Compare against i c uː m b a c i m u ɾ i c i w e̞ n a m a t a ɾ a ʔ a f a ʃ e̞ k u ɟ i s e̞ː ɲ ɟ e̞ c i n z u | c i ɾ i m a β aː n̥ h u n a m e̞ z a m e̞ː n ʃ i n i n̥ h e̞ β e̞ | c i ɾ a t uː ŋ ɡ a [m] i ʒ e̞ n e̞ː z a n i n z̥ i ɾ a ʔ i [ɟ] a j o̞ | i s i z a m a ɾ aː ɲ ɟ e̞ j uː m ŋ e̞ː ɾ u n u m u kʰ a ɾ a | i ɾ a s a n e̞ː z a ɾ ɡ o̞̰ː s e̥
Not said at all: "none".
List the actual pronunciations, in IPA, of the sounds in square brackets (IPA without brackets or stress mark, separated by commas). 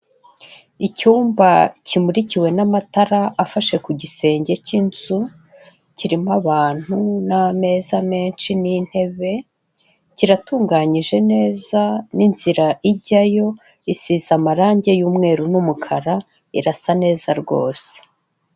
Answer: ɲ, ɟ